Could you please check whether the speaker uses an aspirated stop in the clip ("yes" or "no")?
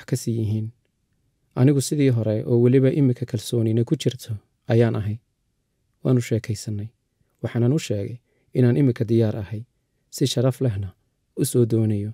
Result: yes